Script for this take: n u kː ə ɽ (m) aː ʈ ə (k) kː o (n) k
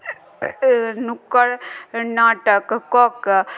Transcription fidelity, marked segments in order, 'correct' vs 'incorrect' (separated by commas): incorrect, correct, incorrect